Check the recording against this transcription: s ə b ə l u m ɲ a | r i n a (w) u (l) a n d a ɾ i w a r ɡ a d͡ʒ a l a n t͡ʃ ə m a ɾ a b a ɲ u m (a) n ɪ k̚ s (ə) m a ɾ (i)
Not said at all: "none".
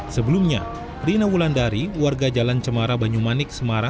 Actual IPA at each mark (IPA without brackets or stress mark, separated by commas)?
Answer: w, l, a, ə, a